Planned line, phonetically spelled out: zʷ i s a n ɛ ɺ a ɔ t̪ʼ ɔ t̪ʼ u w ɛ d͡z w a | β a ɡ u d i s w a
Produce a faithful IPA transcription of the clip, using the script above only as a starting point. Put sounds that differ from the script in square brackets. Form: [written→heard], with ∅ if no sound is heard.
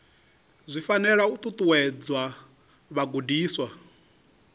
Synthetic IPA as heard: zʷ i [s→f] a n ɛ ɺ a [ɔ→u] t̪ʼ [ɔ→u] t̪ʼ u w ɛ d͡z w a | β a ɡ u d [i→iː] s w a

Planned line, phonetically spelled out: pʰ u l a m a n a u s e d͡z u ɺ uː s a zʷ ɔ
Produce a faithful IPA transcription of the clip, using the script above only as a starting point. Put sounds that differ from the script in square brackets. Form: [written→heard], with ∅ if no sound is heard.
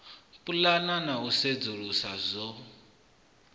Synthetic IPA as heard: [pʰ→p] u l a [m→n] a n a u s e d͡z u ɺ [uː→u] s a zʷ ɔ

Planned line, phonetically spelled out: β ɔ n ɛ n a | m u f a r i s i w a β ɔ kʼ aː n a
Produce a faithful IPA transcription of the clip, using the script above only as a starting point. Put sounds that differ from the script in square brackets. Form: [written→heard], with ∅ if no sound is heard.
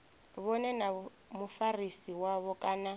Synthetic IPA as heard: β ɔ n ɛ n a | m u f a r i s i w a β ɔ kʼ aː n a

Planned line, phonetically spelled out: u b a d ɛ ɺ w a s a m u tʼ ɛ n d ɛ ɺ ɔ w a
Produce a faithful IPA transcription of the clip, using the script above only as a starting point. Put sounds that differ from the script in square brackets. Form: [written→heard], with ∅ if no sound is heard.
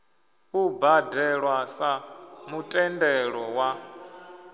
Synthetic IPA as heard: u b a d ɛ ɺ w a s a m u tʼ ɛ n d ɛ ɺ ɔ w a

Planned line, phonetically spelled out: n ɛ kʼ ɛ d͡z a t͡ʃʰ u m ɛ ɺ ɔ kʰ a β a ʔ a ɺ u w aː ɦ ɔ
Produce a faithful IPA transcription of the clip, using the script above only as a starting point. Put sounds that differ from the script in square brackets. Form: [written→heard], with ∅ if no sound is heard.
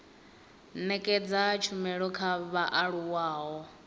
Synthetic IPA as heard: n ɛ kʼ ɛ d͡z a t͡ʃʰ u m ɛ ɺ ɔ kʰ a β a ʔ a ɺ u w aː ɦ ɔ

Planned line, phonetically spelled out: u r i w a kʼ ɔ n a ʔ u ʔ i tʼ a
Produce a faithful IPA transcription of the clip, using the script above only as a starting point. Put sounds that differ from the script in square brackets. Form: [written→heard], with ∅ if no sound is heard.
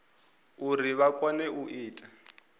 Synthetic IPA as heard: u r i [w→β] a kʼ ɔ n [a→ɛ] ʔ u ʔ [i→iː] tʼ a

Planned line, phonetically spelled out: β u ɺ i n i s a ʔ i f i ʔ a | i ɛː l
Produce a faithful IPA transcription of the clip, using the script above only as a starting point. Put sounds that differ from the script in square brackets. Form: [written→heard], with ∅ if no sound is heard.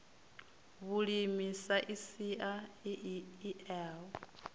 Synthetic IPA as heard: β u ɺ i [n→m] i s a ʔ i [f→s] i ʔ a | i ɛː l

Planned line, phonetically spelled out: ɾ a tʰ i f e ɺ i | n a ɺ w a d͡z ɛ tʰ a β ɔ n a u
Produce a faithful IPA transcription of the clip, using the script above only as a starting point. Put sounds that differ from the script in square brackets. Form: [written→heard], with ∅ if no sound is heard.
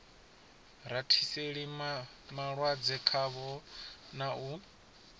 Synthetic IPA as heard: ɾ a tʰ i [f→s] e ɺ i | [n→m] a ɺ w a d͡z ɛ [tʰ→kʰ] a β ɔ n a u

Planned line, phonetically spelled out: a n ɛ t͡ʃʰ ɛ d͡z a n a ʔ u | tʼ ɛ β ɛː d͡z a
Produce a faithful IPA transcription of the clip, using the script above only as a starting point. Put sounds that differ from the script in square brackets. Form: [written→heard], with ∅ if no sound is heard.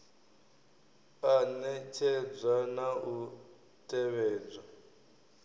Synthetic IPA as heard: a n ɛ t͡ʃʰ ɛ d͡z a n a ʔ u | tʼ ɛ β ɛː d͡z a

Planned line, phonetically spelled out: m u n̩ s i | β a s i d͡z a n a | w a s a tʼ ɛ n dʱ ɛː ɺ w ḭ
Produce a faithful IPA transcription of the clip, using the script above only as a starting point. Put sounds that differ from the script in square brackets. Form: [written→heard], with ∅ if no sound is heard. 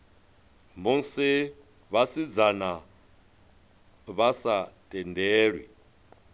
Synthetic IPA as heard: m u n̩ s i | β a s i d͡z a n a | [w→β] a s a tʼ ɛ n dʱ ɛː ɺ w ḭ

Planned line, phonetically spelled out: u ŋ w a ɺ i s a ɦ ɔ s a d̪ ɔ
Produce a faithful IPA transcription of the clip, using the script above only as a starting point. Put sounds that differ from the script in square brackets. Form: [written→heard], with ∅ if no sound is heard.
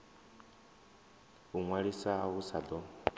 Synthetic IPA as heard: u ŋ w a ɺ i s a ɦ [ɔ→u] s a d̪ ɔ

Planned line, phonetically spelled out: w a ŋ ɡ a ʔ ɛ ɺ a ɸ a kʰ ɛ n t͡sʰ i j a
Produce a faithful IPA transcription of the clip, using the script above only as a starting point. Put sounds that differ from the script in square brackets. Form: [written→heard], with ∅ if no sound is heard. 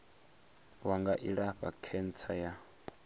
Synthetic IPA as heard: w a ŋ ɡ a ʔ [ɛ→i] ɺ a ɸ a kʰ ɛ n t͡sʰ [i→a] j a

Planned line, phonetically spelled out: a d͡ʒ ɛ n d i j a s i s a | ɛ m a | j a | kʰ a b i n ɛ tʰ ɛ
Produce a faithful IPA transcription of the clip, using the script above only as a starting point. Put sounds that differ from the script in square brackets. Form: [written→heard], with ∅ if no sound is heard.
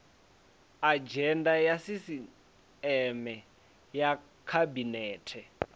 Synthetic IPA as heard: a d͡ʒ ɛ n d [i→a] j a s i s [a→i] | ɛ m [a→ɛ] | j a | kʰ a b i n [ɛ→ɛː] tʰ ɛ

